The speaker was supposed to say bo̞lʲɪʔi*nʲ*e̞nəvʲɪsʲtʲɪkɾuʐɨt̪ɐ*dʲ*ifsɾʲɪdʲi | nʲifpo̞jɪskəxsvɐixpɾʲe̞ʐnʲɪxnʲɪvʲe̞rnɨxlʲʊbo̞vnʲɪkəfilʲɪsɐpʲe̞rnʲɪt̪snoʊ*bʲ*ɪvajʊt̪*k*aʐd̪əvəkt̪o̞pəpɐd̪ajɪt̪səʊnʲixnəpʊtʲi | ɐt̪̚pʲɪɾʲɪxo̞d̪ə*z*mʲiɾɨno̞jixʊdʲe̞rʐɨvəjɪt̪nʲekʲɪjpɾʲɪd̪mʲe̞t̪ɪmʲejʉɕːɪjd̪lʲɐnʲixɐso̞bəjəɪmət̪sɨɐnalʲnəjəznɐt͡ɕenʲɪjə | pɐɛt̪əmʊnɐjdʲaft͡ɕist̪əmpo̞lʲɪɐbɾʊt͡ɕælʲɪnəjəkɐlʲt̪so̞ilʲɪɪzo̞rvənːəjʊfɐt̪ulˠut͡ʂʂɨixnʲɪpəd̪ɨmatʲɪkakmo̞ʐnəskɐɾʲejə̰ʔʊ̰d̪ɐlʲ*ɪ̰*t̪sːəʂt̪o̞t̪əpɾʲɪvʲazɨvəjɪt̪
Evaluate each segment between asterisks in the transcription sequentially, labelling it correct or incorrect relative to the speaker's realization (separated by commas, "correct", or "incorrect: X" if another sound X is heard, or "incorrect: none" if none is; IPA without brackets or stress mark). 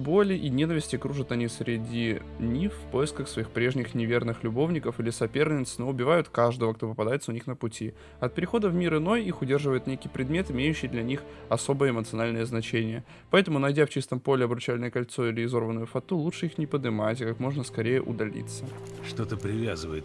correct, incorrect: nʲ, correct, correct, incorrect: v, incorrect: ḭ